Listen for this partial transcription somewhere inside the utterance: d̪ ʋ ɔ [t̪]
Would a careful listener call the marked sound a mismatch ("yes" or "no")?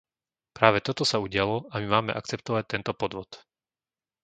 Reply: no